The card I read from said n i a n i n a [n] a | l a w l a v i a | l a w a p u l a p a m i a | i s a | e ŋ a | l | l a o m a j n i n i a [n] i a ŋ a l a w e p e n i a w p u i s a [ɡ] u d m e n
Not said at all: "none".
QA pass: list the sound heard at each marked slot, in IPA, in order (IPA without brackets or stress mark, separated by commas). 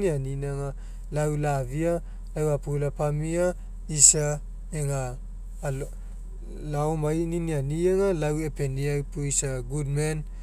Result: ŋ, n, ɡ